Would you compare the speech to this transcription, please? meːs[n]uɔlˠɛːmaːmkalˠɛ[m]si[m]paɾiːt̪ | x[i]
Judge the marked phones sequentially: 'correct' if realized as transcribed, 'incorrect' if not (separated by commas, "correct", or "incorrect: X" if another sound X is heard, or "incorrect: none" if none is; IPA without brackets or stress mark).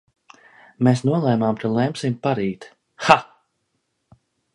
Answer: correct, correct, correct, incorrect: a